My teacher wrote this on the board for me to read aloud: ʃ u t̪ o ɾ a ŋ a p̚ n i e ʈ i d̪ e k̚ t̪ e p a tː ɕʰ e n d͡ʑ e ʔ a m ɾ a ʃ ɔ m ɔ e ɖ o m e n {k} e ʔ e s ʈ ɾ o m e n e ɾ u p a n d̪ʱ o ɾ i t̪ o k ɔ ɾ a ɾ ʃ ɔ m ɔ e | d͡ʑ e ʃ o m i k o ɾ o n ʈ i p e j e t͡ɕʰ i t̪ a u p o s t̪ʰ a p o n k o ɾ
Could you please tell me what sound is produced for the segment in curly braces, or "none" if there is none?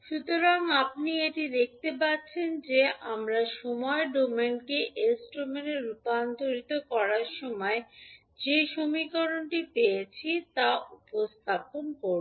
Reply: k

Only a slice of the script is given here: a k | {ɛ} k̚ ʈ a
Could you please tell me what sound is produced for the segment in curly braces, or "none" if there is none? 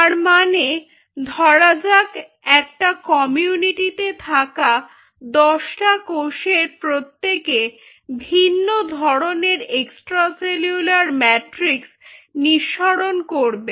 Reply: ɛ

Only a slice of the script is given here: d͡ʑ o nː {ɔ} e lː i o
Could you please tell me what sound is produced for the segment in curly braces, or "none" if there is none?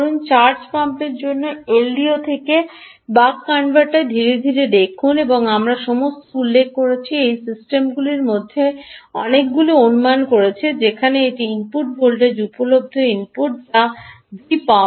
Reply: o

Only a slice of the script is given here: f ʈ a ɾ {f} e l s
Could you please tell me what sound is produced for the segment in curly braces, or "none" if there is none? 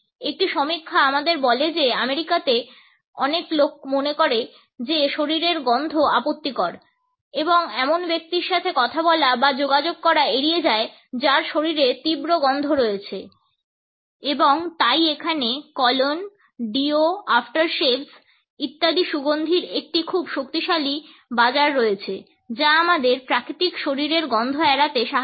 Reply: ʃ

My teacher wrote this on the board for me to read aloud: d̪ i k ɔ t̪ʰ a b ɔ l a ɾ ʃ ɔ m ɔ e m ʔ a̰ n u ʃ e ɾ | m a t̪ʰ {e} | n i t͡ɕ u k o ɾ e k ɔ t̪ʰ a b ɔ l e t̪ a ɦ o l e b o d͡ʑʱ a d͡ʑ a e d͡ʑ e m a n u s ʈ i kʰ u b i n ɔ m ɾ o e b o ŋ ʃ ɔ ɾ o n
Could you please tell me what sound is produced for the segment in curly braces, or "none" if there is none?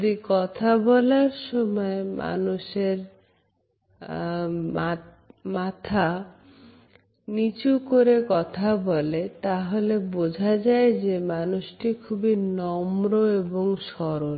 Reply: a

